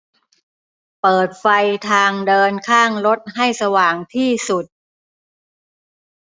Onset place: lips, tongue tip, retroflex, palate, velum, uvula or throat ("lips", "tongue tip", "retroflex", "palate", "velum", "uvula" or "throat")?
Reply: lips